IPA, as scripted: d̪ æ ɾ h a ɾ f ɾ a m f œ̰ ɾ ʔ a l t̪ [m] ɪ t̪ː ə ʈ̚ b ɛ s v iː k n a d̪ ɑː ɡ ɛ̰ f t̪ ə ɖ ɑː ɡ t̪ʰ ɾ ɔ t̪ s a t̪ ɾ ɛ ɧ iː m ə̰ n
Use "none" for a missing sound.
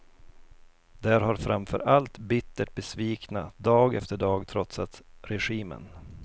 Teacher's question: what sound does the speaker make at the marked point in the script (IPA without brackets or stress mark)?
b